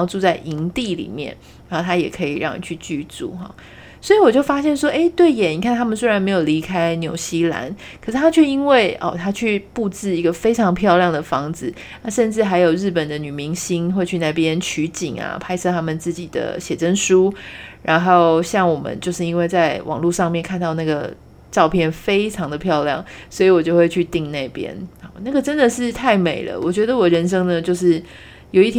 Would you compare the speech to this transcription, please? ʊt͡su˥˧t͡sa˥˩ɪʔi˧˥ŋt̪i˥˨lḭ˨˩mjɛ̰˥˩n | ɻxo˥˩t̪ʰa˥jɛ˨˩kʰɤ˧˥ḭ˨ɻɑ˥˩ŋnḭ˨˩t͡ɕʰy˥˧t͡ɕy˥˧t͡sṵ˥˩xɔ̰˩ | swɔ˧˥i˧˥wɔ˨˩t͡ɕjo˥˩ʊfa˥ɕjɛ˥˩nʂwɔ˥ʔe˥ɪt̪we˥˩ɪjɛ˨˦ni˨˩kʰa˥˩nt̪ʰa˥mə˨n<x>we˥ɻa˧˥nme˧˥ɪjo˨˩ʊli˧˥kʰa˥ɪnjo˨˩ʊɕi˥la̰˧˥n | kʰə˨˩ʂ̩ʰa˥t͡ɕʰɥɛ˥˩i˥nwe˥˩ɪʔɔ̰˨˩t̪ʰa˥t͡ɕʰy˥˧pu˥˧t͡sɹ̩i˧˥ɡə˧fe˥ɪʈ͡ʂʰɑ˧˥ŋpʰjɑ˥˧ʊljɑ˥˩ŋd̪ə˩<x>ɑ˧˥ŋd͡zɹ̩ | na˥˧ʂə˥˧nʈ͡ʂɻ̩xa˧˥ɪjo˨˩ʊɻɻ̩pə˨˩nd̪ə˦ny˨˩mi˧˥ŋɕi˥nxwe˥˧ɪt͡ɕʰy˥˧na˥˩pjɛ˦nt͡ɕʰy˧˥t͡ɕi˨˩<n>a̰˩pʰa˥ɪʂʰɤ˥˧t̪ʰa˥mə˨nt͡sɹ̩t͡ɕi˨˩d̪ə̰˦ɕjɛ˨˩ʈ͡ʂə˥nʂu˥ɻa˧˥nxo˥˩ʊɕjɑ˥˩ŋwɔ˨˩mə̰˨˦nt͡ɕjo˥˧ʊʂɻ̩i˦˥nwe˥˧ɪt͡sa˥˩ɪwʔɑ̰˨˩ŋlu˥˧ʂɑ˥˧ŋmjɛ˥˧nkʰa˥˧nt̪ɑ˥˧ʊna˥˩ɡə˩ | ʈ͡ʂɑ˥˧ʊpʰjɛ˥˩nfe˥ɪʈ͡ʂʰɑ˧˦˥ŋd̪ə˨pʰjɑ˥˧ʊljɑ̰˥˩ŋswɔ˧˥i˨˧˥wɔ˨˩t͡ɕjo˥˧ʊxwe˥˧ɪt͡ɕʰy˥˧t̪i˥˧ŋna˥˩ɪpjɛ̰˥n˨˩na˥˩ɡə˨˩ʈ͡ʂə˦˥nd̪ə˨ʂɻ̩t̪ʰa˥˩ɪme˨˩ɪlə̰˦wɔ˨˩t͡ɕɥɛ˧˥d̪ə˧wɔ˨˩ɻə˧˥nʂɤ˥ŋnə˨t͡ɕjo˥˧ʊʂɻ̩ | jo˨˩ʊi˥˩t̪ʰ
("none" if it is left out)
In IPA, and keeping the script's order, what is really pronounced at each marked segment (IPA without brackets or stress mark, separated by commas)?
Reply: s, f, ŋ